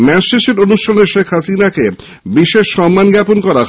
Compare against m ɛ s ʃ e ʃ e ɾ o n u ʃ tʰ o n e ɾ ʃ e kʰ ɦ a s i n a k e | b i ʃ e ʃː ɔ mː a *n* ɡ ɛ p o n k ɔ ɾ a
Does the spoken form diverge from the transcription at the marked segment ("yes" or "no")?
no